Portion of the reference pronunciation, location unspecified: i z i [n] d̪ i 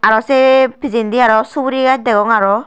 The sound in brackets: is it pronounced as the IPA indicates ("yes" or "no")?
yes